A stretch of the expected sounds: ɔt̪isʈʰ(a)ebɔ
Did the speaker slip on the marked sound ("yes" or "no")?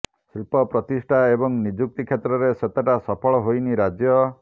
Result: no